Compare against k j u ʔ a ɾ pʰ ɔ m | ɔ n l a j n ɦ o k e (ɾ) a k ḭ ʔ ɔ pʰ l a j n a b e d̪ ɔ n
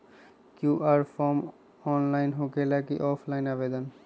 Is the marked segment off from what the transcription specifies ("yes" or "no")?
yes